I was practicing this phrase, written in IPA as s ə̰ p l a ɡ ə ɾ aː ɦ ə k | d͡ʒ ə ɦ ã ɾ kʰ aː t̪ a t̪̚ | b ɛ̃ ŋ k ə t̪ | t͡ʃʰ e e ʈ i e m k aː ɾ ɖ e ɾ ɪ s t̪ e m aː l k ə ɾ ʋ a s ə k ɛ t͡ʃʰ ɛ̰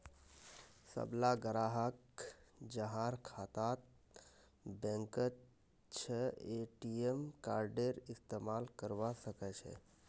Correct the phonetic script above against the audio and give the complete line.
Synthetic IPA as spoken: s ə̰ b l a ɡ ə ɾ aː ɦ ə k | d͡ʒ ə ɦ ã ɾ kʰ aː t̪ a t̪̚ | b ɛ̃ ŋ k ə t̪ | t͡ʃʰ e e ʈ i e m k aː ɾ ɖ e ɾ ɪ s t̪ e m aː l k ə ɾ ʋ a s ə k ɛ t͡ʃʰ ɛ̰